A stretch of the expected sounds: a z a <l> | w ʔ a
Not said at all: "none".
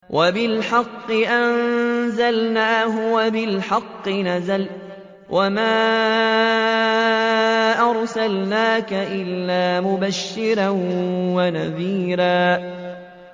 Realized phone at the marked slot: l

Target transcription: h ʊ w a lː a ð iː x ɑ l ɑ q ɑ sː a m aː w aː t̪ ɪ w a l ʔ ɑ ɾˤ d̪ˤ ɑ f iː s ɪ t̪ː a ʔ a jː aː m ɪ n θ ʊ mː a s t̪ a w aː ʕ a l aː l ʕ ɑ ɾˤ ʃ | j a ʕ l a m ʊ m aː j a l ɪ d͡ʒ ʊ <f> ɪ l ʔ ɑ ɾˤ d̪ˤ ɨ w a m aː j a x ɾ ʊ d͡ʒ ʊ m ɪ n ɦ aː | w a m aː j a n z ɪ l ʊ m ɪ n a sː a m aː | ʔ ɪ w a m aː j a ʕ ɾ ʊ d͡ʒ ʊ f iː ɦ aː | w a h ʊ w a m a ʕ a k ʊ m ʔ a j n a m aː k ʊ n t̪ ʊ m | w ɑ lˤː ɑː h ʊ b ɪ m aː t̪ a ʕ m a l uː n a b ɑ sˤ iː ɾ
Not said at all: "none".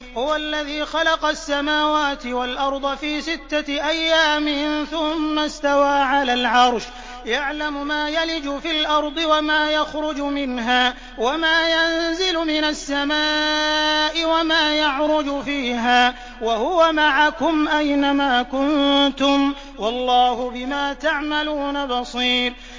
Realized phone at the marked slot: f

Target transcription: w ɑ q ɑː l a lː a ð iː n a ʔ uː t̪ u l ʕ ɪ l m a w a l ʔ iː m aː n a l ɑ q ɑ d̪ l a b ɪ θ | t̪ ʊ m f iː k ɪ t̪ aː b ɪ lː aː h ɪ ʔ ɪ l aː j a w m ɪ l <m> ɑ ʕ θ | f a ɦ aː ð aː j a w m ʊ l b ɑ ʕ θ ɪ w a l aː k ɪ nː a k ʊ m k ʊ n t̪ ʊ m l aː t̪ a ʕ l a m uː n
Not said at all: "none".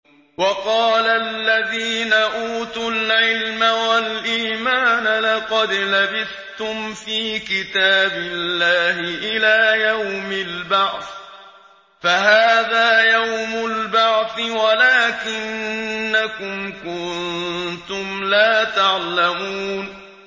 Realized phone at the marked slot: b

